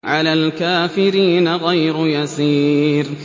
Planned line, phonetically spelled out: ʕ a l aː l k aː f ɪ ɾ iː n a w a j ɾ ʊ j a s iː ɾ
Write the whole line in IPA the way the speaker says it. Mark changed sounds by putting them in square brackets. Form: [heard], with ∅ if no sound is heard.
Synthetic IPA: ʕ a l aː l k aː f ɪ ɾ iː n a [ɣ] a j ɾ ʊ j a s iː ɾ